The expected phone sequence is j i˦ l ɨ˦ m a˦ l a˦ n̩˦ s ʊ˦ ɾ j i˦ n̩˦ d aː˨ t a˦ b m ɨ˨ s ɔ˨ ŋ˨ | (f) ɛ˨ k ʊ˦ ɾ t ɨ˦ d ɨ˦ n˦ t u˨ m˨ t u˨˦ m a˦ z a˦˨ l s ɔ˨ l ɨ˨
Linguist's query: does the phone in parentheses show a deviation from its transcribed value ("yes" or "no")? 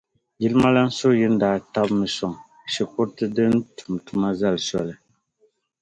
yes